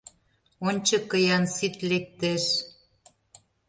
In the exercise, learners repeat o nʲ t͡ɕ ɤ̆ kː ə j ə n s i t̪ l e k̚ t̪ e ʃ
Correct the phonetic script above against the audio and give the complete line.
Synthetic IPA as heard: o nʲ t͡ɕ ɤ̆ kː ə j ɑ n s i t̪ l e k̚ t̪ e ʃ

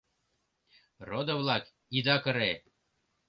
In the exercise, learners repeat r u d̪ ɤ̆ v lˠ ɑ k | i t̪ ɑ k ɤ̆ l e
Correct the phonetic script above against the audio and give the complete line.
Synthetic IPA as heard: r o d̪ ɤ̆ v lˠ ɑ k | i d̪ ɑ k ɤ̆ ɾ e

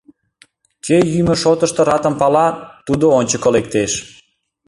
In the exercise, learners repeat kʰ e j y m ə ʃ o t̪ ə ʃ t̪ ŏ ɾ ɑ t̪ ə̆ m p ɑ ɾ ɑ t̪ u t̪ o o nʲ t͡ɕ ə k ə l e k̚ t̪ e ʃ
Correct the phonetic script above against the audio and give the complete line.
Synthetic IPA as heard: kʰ e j y m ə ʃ o t̪ ə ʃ t̪ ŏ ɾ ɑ t̪ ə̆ m p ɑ l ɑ t̪ u d̪ o o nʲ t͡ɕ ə k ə l e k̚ t̪ e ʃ

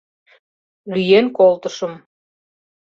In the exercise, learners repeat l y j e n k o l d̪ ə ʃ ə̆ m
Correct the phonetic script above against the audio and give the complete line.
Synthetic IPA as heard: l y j e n k o l t̪ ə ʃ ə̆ m

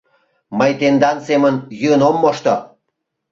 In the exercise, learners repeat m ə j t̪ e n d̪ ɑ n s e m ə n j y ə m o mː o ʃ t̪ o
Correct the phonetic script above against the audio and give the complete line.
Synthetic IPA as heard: m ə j t̪ e n d̪ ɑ n s e m ə n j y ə n o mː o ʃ t̪ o

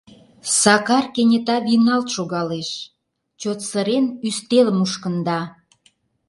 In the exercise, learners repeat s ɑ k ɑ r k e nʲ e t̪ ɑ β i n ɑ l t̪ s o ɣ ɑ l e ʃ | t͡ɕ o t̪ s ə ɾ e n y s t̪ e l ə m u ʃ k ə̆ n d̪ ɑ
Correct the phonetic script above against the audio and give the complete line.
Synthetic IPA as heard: s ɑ k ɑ r k e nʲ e t̪ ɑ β i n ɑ l t̪ ʃ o ɣ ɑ l e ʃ | t͡ɕ o t̪ s ə ɾ e n y s t̪ e l ə m u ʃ k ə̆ n d̪ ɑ

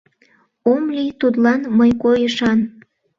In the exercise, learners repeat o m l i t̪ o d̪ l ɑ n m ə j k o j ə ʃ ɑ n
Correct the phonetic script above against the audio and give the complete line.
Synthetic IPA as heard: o m l i t̪ u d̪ l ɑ n m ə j k o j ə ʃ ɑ n

